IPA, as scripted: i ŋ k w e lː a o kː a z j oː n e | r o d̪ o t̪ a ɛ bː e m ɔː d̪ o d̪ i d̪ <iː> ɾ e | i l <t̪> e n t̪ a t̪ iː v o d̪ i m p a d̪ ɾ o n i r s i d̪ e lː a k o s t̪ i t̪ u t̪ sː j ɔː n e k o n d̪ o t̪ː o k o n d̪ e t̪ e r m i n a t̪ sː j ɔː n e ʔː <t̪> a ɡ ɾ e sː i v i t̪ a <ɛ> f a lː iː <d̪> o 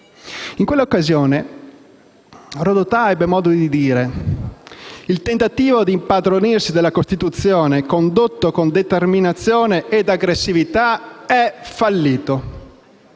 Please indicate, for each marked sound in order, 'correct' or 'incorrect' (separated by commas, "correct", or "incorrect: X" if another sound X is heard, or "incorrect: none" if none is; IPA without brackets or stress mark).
correct, correct, incorrect: d̪, correct, incorrect: t̪